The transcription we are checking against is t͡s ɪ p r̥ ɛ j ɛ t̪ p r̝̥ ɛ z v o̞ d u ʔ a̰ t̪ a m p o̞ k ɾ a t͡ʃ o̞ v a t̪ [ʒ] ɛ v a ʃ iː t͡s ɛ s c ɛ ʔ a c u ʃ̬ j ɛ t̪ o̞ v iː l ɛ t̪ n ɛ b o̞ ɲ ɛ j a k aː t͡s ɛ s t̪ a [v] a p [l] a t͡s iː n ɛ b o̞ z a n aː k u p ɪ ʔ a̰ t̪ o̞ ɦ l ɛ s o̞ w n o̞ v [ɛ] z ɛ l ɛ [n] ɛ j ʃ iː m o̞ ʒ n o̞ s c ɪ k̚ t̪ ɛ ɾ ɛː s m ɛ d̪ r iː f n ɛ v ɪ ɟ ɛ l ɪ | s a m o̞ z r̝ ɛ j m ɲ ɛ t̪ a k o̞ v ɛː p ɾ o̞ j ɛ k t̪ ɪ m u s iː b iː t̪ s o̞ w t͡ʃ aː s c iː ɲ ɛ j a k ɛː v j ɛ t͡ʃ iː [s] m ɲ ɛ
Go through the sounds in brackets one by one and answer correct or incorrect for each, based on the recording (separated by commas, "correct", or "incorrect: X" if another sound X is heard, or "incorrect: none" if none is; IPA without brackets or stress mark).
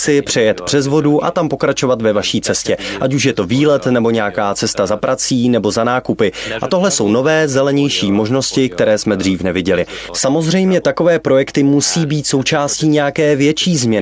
incorrect: v, incorrect: z, incorrect: ɾ, incorrect: ɛː, incorrect: ɲ, incorrect: z